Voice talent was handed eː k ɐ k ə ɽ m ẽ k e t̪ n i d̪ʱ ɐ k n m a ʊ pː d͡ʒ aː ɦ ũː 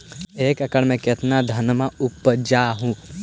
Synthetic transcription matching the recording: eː k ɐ k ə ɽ m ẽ k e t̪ n a d̪ʱ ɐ n m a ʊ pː d͡ʒ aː ɦ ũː